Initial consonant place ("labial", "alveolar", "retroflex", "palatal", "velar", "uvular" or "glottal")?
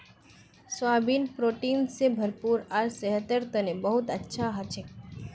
alveolar